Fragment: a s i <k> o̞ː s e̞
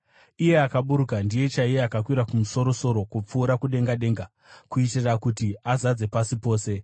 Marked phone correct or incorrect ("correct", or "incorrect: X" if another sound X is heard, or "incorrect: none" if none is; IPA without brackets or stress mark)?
incorrect: p